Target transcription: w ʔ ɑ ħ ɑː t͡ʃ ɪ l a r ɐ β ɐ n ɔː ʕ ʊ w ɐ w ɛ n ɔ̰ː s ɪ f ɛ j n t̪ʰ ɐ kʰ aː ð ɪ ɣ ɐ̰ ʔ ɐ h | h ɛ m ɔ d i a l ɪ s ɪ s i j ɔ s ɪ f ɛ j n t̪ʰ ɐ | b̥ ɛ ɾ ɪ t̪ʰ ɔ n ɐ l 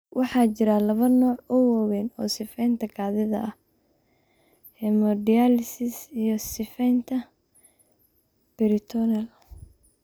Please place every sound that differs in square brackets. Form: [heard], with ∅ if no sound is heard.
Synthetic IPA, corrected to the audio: w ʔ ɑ ħ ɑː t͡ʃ ɪ [ɾ] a [l] ɐ β ɐ n ɔː ʕ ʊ w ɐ w ɛ n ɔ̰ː s ɪ f ɛ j n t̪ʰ ɐ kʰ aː ð ɪ [ð] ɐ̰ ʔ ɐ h | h ɛ m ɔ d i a l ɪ s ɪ s i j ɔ s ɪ f ɛ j n t̪ʰ ɐ | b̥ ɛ ɾ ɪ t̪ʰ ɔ n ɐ l